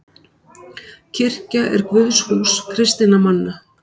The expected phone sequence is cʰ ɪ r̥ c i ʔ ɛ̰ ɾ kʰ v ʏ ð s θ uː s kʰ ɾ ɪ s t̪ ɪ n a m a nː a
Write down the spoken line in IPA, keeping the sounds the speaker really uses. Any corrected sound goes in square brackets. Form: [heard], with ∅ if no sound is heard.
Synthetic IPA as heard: cʰ ɪ r̥ c [a] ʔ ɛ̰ ɾ [k] v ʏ ð s [h] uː s kʰ ɾ ɪ s t̪ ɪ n a m a nː a